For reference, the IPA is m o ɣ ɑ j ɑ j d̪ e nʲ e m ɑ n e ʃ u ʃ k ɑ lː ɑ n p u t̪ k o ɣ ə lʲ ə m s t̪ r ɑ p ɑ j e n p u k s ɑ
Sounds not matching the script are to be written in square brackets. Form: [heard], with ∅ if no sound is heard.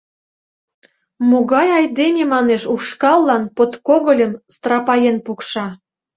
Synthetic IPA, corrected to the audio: m o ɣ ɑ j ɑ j d̪ e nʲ e m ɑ n e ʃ u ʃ k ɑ lː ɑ n p [o] t̪ k o ɣ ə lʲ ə m s t̪ r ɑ p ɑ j e n p u k [ʃ] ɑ